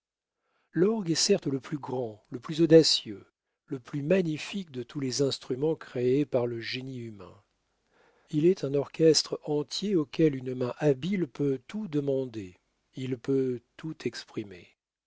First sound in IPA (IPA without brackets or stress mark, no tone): l